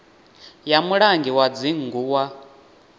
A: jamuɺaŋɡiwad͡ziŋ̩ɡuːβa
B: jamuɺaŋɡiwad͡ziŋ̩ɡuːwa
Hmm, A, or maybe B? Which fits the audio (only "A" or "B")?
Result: B